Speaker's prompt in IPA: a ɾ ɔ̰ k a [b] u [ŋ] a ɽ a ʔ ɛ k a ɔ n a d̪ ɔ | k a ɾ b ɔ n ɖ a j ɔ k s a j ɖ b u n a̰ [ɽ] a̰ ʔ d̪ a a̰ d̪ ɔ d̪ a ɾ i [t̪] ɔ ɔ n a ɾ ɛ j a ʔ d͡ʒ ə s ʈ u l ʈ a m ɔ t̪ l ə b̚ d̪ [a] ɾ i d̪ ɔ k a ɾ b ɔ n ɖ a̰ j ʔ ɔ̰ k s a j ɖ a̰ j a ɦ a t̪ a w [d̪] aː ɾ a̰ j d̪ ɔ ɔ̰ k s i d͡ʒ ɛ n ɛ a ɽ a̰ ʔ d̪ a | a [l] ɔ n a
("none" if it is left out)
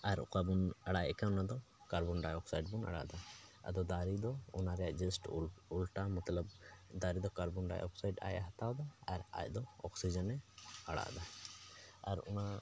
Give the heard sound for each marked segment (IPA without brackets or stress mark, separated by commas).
b, n, ɽ, d̪, a, d̪, ɾ